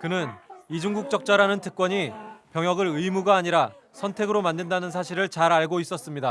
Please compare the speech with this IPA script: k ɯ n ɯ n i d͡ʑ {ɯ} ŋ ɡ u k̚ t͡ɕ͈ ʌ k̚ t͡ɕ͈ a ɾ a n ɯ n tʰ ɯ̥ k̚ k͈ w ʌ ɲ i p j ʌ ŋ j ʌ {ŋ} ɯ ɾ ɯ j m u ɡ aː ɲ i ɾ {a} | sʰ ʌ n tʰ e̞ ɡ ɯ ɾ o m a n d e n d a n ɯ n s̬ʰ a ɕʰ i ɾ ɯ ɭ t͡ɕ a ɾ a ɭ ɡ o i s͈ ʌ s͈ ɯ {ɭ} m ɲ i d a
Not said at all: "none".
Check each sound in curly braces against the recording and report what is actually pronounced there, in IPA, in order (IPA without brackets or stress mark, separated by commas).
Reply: u, ɡ, a, none